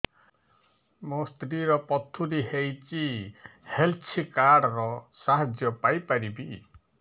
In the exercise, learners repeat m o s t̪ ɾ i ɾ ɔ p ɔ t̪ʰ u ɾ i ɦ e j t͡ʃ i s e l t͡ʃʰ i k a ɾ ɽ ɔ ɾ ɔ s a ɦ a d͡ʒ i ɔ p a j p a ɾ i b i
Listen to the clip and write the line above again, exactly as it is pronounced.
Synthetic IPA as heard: m o s t̪ ɾ i ɾ ɔ p ɔ t̪ʰ u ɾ i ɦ e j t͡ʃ i h e l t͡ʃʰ i k a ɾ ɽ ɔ ɾ ɔ s a ɦ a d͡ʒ j ɔ p a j p a ɾ i b i